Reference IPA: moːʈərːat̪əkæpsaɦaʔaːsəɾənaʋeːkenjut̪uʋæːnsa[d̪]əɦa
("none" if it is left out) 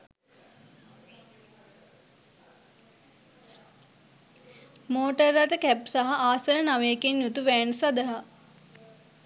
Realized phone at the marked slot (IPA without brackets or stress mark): d̪